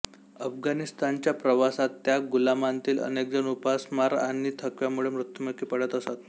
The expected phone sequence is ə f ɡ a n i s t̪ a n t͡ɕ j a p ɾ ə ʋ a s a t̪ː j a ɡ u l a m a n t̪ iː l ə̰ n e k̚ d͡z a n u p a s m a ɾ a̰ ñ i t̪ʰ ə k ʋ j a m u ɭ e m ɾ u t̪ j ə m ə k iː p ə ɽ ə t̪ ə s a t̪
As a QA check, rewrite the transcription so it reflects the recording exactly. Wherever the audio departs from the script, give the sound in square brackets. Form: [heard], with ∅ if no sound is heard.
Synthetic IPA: ə f ɡ a n i s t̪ a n t͡ɕ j a p ɾ ə ʋ a s a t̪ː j a ɡ u l a m a n t̪ iː l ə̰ n e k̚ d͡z [ə] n u p a s m a ɾ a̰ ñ i t̪ʰ ə k ʋ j a m u ɭ e m ɾ u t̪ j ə m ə k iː p ə ɽ ə t̪ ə s a t̪